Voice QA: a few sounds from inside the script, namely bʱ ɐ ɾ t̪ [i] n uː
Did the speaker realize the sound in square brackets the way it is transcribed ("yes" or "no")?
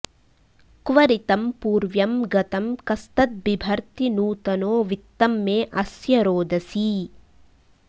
yes